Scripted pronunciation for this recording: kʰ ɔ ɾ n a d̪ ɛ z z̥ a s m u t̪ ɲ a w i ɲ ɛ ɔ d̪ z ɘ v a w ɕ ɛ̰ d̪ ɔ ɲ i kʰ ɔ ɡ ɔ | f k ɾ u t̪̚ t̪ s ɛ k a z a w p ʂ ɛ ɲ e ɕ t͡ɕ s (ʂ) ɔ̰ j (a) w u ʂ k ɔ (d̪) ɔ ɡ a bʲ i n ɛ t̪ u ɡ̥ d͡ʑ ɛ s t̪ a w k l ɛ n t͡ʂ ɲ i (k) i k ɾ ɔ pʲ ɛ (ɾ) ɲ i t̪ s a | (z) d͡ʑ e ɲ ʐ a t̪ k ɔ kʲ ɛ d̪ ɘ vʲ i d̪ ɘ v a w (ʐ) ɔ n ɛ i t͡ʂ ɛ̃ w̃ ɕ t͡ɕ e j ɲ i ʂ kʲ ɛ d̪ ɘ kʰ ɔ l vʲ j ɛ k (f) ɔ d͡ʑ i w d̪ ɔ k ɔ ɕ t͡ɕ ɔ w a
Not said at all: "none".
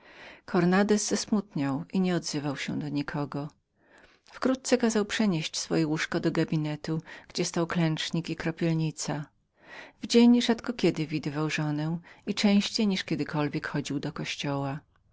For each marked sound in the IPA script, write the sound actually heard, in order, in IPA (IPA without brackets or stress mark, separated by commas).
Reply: f, ɛ, d̪, k, l, v, ʐ, x